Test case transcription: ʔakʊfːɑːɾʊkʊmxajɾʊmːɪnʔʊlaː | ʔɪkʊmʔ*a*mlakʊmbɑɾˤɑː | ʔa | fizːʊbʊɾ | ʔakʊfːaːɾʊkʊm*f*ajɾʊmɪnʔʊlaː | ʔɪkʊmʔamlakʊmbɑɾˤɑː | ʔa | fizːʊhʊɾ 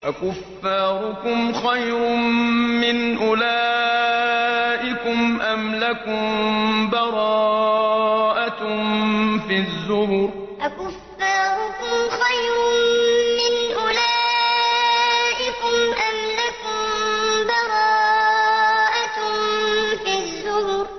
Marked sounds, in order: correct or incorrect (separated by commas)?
correct, incorrect